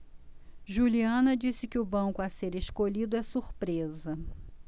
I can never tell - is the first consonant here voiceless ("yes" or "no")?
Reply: no